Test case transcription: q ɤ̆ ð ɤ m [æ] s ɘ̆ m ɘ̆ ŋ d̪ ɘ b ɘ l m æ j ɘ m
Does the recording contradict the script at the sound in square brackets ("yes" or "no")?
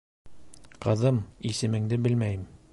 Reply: yes